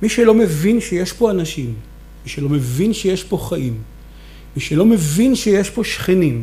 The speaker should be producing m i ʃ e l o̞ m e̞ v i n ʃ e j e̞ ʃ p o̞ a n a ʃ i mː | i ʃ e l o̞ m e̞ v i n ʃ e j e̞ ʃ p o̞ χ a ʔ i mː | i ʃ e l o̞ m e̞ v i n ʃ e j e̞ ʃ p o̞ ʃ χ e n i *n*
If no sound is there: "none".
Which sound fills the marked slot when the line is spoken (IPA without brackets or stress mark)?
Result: m